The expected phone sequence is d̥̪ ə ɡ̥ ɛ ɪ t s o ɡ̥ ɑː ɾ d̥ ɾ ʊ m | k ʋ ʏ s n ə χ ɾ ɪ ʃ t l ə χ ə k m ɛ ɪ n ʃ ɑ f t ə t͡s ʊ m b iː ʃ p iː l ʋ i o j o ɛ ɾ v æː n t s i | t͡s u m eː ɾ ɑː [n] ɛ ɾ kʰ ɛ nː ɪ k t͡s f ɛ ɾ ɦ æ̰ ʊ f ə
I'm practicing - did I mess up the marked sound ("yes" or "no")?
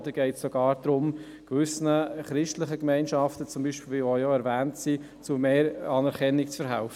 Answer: no